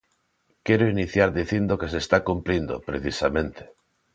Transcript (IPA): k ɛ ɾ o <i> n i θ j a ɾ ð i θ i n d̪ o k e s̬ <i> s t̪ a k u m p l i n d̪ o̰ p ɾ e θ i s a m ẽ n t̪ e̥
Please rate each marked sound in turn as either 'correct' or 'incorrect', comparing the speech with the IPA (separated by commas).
correct, incorrect